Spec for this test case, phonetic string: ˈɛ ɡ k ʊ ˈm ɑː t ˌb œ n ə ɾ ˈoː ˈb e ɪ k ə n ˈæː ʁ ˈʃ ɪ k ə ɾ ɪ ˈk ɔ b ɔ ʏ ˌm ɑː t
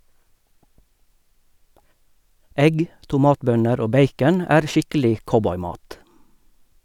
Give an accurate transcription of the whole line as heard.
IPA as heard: ˈɛ ɡ t ʊ ˈm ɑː t ˌb œ n ə ɾ ˈoː ˈb e ɪ k ə n ˈæː ʁ ˈʃ ɪ k ə l ɪ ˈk ɔ b ɔ ʏ ˌm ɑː t